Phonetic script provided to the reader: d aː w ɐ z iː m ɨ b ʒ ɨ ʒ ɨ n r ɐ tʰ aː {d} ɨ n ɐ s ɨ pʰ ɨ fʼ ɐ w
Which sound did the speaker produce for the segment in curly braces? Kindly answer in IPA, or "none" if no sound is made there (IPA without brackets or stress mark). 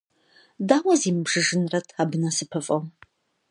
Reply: b